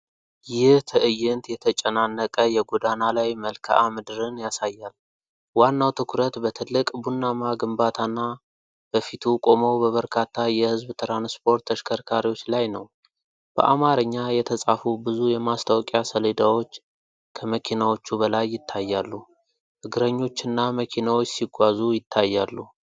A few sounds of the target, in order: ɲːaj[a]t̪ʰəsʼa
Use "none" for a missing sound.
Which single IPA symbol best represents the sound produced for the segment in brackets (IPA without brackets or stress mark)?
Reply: ɛ